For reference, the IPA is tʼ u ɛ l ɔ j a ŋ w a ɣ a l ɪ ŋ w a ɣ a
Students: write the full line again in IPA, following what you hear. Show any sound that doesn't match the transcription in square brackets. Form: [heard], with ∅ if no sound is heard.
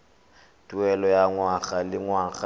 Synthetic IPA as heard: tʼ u ɛ l ɔ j a ŋ w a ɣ a l ɪ ŋ w a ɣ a